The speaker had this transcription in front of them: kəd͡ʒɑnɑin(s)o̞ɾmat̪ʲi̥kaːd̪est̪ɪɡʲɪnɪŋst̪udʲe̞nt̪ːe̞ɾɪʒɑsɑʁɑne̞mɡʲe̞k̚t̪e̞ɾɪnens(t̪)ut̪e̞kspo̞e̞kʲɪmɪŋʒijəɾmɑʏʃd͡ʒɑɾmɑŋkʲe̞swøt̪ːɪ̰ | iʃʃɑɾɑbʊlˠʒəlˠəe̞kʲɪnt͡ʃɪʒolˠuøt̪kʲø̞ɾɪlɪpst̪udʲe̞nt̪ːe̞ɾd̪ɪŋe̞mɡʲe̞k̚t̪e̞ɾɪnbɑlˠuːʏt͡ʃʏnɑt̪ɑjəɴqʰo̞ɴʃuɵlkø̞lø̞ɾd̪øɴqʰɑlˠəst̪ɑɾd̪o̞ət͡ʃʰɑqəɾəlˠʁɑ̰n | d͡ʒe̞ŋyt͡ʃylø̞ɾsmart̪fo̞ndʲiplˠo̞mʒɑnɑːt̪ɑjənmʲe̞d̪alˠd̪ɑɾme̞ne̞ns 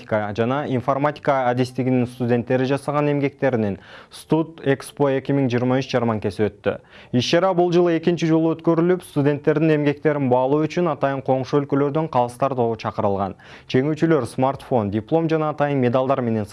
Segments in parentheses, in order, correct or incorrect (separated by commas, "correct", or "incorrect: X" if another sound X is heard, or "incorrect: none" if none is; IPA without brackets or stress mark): incorrect: f, correct